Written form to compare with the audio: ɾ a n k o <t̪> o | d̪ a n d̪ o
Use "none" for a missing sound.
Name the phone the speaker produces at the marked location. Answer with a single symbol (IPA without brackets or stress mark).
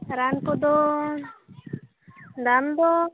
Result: d̪